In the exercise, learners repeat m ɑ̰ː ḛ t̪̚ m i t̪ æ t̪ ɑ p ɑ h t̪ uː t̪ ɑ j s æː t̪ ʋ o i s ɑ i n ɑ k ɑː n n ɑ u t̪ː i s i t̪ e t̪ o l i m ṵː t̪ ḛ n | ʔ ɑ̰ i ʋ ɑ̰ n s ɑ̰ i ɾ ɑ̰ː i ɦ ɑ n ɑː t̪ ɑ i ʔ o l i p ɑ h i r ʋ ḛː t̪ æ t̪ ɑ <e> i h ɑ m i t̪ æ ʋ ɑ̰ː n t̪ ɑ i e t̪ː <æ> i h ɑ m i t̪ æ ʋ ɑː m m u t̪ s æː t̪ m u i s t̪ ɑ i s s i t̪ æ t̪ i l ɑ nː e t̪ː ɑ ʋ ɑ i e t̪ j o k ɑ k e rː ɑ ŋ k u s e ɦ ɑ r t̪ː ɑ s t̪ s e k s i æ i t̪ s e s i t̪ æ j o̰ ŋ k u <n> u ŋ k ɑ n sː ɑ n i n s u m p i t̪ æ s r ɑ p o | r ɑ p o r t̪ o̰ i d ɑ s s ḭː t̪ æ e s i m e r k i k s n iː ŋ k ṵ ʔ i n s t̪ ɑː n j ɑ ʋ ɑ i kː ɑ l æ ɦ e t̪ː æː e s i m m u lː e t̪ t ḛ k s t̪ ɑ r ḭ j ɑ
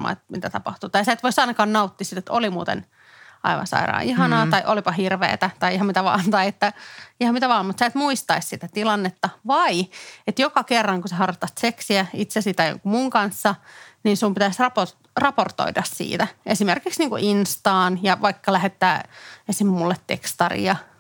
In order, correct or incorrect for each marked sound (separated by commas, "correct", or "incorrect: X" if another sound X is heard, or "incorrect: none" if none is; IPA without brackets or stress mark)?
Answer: incorrect: i, correct, incorrect: m